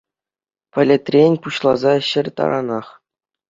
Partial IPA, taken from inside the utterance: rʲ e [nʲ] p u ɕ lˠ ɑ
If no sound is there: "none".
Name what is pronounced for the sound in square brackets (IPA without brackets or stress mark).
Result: nʲ